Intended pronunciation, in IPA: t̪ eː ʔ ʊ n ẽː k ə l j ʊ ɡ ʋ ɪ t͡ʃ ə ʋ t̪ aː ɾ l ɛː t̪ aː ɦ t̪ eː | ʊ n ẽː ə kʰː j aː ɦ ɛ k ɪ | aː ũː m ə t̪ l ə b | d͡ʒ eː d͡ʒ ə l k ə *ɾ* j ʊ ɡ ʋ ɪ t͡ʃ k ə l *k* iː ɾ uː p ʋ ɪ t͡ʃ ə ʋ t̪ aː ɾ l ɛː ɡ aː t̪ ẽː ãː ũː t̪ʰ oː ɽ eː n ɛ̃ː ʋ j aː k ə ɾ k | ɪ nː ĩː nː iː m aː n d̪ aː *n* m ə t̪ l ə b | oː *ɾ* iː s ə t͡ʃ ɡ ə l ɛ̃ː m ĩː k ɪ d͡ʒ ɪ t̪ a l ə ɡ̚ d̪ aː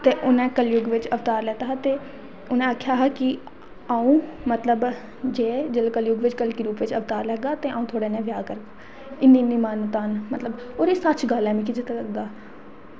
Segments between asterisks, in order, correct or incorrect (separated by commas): incorrect, correct, correct, correct